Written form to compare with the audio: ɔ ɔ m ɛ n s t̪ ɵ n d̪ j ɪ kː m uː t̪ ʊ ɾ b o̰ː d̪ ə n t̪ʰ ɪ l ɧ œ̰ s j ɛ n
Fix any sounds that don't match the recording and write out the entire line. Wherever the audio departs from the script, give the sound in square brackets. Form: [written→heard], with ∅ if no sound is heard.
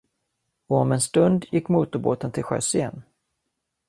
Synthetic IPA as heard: ɔ ɔ m ɛ n s t̪ ɵ n d̪ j ɪ kː m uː t̪ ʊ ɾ b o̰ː [d̪→t̪] ə n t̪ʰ ɪ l ɧ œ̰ s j ɛ n